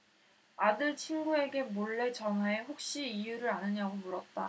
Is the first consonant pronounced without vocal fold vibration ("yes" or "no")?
no